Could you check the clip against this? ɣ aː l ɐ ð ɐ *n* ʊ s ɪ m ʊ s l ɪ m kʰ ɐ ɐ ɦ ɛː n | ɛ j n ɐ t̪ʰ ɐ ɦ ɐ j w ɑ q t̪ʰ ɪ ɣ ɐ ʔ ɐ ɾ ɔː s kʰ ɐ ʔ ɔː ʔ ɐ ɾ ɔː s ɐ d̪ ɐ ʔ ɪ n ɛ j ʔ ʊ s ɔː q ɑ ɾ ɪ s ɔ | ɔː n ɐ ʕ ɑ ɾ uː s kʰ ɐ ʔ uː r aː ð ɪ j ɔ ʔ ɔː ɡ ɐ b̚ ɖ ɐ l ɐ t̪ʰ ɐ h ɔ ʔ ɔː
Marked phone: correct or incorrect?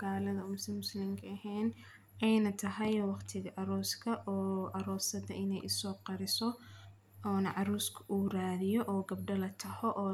incorrect